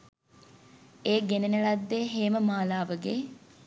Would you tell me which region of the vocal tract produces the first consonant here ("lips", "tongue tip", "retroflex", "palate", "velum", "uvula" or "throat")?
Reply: velum